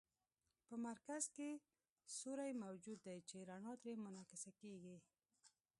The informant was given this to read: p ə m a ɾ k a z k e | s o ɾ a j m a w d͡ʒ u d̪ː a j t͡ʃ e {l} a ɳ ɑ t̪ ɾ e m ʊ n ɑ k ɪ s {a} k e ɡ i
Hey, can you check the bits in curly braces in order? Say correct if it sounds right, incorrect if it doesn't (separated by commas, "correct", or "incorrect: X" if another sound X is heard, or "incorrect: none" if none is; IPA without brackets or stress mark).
incorrect: ɾ, correct